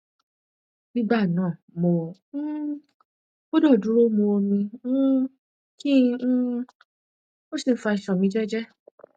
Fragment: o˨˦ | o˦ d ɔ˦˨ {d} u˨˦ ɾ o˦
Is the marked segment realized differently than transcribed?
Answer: no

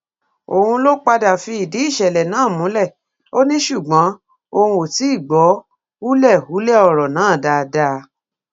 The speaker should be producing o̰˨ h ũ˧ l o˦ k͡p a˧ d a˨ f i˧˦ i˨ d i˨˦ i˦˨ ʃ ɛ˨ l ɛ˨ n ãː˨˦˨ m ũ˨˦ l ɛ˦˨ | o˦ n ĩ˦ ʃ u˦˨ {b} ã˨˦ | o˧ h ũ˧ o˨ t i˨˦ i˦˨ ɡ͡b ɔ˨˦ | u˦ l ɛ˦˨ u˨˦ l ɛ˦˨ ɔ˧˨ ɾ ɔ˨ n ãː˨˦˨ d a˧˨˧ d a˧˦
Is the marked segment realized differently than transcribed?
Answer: yes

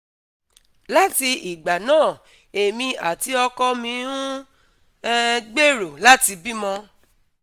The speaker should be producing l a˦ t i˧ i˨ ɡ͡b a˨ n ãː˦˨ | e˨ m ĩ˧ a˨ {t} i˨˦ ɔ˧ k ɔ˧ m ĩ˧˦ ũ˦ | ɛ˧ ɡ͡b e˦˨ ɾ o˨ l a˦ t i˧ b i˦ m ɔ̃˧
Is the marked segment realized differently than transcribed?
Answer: no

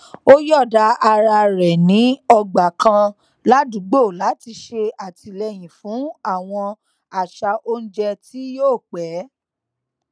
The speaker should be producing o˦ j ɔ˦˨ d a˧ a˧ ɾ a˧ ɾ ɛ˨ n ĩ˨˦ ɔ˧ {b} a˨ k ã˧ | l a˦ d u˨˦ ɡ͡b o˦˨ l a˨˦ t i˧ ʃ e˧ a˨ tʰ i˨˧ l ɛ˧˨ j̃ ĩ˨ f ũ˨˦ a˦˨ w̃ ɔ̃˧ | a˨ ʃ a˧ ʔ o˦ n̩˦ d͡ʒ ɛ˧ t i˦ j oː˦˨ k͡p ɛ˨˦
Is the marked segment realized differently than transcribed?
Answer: yes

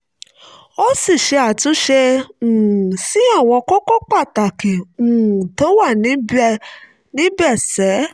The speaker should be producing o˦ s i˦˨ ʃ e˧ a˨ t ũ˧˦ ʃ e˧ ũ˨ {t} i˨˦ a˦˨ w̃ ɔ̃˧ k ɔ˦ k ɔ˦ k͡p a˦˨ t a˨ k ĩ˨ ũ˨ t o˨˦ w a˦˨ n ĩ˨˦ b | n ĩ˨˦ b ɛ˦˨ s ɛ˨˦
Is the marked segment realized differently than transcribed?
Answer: yes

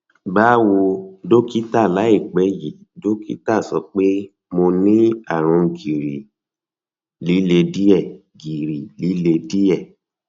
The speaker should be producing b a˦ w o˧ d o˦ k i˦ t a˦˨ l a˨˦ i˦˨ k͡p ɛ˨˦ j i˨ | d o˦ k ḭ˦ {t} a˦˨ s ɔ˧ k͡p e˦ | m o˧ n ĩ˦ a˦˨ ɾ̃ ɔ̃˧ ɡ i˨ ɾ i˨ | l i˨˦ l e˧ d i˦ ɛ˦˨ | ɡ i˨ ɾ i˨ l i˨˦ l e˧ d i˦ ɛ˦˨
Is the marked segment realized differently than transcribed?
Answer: no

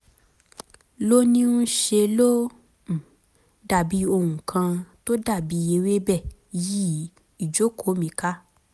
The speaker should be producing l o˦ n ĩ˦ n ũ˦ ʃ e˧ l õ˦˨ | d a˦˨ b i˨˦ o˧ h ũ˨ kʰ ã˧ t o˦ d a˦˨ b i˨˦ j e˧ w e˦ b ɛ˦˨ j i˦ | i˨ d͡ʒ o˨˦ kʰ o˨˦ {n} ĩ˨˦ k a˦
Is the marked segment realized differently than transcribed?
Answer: yes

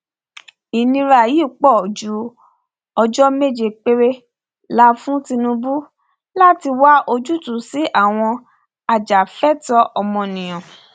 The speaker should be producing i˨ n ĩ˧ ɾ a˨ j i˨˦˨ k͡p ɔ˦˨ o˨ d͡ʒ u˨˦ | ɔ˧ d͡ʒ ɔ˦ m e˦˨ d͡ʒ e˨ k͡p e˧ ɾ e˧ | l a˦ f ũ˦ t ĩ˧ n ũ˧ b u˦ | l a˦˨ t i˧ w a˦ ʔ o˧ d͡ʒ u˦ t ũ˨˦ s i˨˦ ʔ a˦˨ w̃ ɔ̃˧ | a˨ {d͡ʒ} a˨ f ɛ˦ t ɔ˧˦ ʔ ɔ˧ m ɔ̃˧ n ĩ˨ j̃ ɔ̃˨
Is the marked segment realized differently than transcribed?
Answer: no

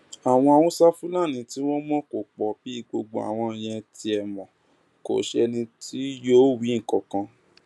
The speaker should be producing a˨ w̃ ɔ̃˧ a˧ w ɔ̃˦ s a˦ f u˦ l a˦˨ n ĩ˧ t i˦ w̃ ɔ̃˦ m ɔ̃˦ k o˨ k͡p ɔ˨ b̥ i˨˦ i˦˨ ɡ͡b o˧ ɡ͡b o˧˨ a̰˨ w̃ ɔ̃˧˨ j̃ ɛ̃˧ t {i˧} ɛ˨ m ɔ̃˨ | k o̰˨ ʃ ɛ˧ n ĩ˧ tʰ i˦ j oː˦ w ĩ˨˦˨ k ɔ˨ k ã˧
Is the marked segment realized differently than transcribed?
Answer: no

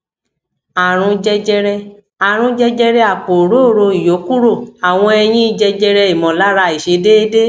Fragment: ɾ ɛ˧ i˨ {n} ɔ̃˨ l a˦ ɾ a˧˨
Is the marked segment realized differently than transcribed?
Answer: yes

